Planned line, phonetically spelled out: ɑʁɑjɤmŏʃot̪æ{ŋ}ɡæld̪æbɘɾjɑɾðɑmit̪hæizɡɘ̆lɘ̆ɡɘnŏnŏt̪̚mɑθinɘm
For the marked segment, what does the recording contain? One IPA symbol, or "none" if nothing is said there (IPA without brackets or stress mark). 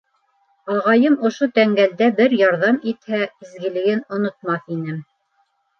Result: ŋ